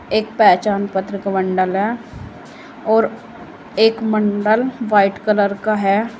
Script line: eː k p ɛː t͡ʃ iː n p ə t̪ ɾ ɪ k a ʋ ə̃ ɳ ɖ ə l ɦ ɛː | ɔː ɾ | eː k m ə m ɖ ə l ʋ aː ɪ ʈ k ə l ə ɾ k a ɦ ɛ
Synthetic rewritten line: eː k p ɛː t͡ʃ aː n p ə t̪ ɾ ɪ k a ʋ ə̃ ɳ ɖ ə l ɦ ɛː | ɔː ɾ | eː k m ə ɳ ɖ ə l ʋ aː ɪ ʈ k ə l ə ɾ k a ɦ ɛ